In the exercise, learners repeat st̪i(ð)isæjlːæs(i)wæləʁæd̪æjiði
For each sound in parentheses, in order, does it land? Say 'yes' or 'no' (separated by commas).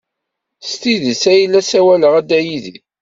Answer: yes, no